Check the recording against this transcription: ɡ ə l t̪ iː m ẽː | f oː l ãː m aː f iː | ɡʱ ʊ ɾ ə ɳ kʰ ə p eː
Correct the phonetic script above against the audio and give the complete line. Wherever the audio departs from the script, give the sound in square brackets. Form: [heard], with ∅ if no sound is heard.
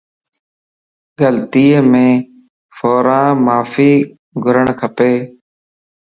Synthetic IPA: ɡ ə l t̪ iː m ẽː | f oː [ɾ] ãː m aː f iː | ɡʱ ʊ ɾ ə ɳ kʰ ə p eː

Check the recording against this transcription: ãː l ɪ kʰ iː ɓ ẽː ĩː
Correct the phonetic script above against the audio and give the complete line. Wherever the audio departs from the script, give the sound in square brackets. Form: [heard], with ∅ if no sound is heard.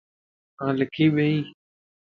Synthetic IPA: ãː l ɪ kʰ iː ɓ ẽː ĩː

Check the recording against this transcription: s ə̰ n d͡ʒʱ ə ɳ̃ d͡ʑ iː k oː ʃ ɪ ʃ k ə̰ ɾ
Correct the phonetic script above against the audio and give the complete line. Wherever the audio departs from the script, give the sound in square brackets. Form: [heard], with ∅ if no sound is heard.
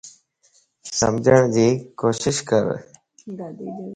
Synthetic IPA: s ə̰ [m] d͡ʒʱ ə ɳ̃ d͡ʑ iː k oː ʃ ɪ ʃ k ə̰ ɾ

